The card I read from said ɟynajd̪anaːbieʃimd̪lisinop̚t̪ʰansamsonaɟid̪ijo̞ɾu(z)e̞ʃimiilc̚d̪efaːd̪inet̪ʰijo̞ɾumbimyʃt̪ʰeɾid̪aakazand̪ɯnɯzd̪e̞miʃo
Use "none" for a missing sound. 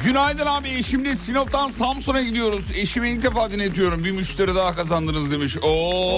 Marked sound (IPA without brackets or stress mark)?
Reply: z